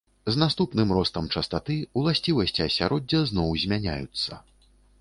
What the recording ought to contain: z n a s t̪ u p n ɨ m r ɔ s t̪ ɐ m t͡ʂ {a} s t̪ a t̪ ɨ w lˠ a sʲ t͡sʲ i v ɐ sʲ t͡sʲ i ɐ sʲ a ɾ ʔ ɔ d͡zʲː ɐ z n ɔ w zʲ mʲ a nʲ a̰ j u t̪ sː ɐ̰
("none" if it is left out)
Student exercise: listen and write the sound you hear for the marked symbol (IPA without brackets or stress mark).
ɐ